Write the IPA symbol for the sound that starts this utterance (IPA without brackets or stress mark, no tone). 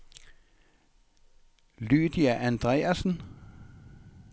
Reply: l